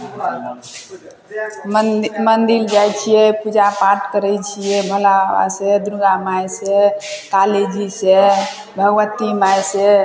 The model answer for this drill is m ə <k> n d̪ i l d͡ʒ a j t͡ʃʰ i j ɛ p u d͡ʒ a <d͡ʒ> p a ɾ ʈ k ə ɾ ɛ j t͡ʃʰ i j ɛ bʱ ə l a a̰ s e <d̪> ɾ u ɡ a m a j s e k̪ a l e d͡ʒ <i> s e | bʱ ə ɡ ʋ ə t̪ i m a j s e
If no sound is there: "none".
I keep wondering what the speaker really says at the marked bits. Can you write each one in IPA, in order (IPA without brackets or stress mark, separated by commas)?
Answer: none, none, d̪, i